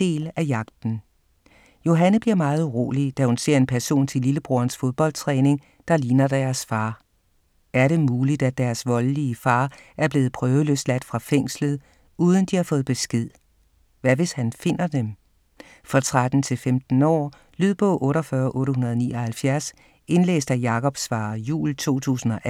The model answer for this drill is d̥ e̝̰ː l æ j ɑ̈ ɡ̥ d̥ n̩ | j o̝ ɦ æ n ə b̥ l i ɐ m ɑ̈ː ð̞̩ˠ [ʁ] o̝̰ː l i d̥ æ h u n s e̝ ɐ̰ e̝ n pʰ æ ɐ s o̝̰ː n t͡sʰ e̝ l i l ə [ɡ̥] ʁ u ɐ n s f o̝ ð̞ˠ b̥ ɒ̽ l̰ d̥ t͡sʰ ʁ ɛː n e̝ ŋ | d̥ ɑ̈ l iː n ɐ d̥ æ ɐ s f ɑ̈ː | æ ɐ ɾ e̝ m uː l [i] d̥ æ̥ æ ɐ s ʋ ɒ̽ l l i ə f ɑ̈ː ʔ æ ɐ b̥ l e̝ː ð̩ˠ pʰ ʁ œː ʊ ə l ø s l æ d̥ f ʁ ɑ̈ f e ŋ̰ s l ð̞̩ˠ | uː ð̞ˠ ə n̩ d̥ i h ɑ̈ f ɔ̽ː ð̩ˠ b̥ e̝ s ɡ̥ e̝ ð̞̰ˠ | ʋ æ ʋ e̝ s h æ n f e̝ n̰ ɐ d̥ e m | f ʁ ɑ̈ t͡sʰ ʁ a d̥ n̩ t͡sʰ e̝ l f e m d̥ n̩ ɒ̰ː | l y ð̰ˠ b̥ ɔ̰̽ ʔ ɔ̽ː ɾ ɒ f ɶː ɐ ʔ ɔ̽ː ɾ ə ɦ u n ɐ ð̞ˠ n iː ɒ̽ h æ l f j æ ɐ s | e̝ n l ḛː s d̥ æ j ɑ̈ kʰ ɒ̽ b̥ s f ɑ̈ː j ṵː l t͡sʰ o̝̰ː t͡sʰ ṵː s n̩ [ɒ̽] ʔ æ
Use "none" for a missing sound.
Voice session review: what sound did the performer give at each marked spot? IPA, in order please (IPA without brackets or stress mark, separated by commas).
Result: ʁ, b̥, i, ɒ̽